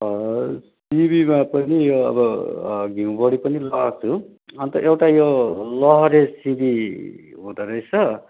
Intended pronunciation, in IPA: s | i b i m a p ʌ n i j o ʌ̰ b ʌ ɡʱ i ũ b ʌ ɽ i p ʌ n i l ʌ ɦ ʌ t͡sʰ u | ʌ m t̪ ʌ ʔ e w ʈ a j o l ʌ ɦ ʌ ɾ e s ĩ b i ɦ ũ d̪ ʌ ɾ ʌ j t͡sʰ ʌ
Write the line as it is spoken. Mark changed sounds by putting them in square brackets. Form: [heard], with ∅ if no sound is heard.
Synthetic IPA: s | i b i m a p ʌ n i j o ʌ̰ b ʌ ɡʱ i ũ b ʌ ɽ i p ʌ n i l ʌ ɦ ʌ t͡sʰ u | ʌ [n] t̪ ʌ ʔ e w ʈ a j o l ʌ ɦ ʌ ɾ e s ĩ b i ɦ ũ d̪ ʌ ɾ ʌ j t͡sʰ ʌ